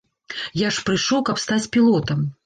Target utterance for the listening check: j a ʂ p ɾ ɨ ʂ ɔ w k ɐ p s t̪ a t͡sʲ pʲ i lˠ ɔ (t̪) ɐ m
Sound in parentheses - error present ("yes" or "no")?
no